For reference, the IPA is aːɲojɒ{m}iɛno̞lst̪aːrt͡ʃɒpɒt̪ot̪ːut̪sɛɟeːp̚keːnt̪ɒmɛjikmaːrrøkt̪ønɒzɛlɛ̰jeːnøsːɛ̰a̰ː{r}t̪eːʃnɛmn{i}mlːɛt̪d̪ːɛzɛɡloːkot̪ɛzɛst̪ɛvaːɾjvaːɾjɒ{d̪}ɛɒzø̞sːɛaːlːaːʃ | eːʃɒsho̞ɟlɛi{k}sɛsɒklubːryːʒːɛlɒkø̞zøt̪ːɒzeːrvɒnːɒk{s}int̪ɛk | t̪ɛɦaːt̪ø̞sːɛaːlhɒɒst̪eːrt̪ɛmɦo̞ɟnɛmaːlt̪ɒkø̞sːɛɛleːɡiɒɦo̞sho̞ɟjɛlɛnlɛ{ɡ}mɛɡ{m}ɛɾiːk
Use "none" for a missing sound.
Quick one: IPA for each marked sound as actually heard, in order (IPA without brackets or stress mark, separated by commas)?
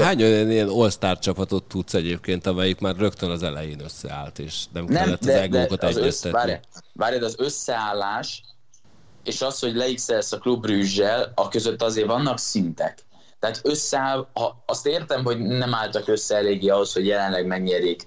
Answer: n, l, ɛ, d̪, k, s, ɡ, ɲ